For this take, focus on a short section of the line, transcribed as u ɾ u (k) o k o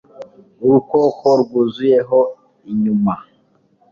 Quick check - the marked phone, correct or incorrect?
correct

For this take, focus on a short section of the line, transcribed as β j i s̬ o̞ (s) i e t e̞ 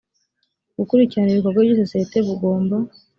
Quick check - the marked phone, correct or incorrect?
correct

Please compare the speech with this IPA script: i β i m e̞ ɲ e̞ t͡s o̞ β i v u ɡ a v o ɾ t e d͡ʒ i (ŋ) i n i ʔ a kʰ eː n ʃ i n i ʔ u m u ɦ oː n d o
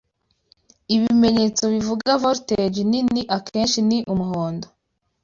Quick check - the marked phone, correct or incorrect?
incorrect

